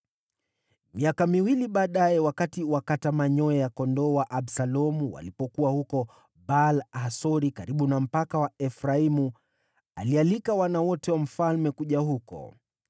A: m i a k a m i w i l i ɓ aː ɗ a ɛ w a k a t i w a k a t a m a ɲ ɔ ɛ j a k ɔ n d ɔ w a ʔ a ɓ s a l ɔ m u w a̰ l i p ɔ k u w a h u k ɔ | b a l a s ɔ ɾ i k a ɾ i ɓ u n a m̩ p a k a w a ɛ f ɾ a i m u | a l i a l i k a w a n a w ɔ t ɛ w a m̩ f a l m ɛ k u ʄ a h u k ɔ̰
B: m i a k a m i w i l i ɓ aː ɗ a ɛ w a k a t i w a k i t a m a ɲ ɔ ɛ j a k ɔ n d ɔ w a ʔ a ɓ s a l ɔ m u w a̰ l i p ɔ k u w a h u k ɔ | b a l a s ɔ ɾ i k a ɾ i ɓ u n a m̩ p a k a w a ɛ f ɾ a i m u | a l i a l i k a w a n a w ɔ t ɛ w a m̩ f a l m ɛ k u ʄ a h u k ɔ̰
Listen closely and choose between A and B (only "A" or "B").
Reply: A